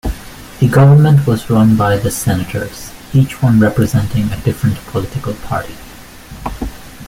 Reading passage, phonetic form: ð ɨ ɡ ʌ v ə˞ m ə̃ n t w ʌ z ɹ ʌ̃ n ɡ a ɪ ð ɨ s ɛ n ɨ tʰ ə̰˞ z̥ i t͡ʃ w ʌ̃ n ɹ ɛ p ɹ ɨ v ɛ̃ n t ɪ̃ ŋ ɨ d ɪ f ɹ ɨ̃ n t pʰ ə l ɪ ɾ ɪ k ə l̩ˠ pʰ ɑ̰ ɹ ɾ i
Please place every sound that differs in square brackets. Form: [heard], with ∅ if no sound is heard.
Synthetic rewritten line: ð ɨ ɡ ʌ v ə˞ m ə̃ n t w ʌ z ɹ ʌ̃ n [b] a ɪ ð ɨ s ɛ n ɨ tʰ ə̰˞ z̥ i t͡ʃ w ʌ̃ n ɹ ɛ p ɹ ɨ [z] ɛ̃ n t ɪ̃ ŋ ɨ d ɪ f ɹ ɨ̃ n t pʰ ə l ɪ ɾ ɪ k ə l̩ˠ pʰ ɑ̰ ɹ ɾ i